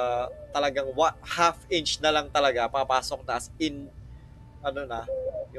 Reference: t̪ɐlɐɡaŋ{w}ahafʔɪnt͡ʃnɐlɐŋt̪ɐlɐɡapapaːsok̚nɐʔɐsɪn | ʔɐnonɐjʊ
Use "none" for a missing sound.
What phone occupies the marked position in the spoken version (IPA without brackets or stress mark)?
w